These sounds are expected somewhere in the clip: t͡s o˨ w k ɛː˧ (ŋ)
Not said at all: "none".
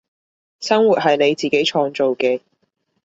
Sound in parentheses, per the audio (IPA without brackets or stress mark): none